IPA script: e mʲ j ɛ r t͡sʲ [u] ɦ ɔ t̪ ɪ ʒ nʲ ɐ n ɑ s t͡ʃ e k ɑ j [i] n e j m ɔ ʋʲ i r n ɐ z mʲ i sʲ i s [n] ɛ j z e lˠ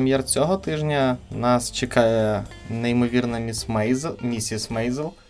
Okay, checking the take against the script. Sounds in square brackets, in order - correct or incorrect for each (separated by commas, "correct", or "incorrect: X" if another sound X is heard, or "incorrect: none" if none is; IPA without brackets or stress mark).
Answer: incorrect: ɔ, incorrect: ɛ, incorrect: m